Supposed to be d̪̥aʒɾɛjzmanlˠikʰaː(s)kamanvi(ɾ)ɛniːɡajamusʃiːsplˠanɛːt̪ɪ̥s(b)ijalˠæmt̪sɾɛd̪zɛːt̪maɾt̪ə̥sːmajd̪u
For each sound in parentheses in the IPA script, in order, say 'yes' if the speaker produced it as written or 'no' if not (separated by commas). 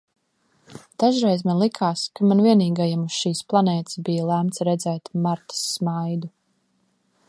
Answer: yes, no, yes